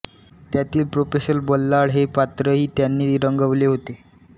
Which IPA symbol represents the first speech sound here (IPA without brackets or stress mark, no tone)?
t̪